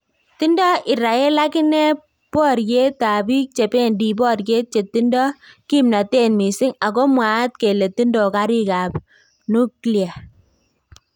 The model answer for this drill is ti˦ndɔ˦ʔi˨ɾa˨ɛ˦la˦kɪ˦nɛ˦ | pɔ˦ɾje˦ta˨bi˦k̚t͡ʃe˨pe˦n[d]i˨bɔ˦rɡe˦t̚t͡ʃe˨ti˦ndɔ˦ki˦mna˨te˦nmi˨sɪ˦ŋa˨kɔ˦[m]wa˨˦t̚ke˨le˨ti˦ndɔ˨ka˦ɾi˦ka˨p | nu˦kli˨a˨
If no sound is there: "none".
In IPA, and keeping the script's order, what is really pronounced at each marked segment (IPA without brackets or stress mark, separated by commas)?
d, m